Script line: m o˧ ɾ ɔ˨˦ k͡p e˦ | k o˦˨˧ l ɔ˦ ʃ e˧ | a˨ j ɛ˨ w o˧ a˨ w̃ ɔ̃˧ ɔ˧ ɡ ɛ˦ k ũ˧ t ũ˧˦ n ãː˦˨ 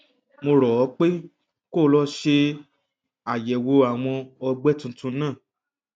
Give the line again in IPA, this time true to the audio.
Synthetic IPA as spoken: m o˧ ɾ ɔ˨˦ k͡p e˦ | k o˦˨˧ l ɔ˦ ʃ e˧ | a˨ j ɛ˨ w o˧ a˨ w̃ ɔ̃˧ ɔ˧ ɡ͡b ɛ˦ t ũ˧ t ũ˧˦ n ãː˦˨